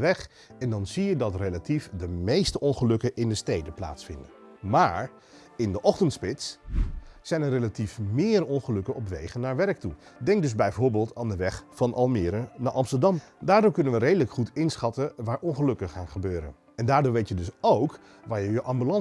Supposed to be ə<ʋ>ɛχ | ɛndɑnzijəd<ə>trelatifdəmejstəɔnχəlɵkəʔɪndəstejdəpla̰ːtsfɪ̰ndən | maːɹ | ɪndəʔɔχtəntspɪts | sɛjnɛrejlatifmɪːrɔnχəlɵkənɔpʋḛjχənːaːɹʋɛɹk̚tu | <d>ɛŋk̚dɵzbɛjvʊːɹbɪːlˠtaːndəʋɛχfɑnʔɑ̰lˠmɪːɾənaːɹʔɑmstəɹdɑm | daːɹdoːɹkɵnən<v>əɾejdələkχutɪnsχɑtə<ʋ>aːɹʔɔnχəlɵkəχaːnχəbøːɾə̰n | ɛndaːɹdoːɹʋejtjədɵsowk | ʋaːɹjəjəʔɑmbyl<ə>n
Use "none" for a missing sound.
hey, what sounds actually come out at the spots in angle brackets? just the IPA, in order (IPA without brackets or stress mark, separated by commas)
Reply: ʋ, ɑ, d, ʋ, ʋ, ɑ